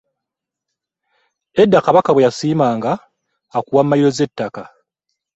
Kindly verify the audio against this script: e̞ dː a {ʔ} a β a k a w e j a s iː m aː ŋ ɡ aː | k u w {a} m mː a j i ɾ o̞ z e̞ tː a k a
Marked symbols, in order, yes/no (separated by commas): no, yes